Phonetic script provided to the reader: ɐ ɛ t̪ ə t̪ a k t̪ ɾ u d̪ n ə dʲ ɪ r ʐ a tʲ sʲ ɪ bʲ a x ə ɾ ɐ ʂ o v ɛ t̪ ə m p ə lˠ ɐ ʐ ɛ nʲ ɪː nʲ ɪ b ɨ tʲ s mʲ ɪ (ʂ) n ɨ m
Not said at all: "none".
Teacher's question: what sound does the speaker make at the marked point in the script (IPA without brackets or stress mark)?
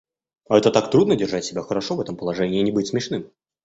ʂ